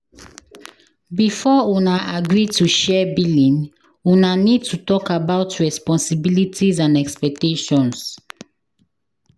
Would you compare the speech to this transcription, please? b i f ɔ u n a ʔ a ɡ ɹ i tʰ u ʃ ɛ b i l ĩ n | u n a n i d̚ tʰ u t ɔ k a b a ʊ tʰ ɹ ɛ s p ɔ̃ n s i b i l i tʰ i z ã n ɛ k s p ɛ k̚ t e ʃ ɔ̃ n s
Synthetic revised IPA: b i f ɔ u n a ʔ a ɡ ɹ i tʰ u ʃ ɛ b i l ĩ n | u n a n i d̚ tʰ u t ɔ k a b a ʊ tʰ ɹ ɛ s p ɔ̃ n s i b i l i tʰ i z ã n ɛ k s p ɛ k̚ t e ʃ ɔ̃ n s